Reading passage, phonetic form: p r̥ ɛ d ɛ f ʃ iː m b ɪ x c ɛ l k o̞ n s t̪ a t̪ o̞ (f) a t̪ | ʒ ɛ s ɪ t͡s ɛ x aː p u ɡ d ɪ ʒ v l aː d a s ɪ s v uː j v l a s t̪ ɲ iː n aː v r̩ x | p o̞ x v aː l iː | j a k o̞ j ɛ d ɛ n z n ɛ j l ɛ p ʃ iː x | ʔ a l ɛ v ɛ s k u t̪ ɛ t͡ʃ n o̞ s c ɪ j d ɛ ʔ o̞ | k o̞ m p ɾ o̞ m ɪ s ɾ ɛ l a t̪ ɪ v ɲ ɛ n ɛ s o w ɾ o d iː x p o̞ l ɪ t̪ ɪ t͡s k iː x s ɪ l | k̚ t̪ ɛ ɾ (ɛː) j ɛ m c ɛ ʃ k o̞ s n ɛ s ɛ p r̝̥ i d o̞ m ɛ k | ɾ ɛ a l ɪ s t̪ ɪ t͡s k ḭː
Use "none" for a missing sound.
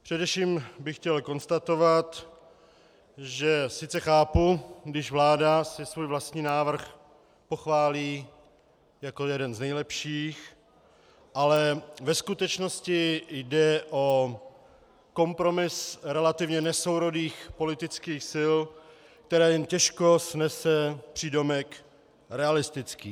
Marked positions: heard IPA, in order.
v, ɛː

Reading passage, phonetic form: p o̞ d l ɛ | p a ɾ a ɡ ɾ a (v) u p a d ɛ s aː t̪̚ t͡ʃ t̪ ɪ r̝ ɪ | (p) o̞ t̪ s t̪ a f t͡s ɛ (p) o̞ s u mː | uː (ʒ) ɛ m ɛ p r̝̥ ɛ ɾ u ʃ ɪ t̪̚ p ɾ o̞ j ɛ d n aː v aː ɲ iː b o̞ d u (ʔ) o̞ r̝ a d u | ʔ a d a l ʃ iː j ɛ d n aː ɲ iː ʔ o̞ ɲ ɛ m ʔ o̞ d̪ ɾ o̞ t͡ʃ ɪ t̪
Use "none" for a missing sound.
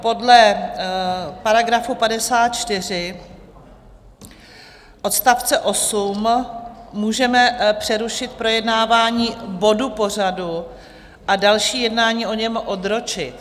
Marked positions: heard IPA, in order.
f, ʔ, ʔ, ʒ, p

